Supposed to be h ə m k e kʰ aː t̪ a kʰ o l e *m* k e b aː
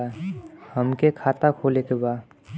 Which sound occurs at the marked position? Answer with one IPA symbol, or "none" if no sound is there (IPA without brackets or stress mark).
none